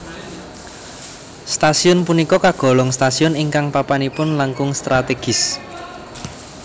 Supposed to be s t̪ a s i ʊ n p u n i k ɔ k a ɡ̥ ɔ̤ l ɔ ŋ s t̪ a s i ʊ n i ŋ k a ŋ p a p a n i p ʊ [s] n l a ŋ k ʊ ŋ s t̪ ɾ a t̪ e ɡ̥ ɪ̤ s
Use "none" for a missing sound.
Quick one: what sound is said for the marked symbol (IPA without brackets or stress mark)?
none